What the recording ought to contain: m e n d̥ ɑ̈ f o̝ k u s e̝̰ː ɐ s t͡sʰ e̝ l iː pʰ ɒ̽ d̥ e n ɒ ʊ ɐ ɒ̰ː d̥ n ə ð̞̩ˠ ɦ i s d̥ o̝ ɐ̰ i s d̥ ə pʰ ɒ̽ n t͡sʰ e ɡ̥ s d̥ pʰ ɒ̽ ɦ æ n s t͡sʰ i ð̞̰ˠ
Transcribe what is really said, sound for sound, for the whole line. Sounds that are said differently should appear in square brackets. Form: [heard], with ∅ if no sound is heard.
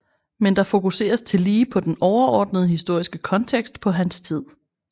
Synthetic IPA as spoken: m e n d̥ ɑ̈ f o̝ k u s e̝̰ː ɐ s t͡sʰ e̝ l iː pʰ ɒ̽ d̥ e n ɒ ʊ ɐ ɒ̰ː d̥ n ə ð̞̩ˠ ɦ i s d̥ o̝ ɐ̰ i s [ɡ̥] ə [kʰ] ɒ̽ n t͡sʰ e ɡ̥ s d̥ pʰ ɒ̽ ɦ æ n s t͡sʰ i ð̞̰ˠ